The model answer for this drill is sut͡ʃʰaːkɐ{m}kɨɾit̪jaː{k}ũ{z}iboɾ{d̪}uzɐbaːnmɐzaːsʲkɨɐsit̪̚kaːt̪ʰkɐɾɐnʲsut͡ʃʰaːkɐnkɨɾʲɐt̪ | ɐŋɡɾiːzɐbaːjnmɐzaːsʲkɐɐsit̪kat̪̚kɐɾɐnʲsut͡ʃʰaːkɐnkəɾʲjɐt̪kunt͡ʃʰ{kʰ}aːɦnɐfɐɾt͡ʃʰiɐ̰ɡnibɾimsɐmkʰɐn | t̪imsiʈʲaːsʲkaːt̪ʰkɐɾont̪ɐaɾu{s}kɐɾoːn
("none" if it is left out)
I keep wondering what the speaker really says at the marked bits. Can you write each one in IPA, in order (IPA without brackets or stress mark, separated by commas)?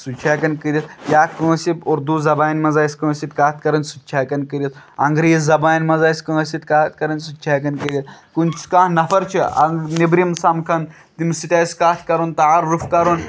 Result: n, k, s, d̪, k, f